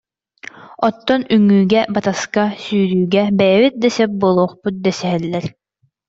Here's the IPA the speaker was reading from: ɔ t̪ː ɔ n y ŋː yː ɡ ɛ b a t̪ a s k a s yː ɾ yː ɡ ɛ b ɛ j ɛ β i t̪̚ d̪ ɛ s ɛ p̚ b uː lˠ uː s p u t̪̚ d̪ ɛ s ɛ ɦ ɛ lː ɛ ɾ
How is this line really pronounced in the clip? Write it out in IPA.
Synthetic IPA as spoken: ɔ t̪ː ɔ n y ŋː yː ɡ ɛ b a t̪ a s k a s yː ɾ yː ɡ ɛ b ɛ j ɛ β i t̪̚ d̪ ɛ s ɛ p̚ b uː lˠ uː χ p u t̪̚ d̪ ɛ s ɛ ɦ ɛ lː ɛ ɾ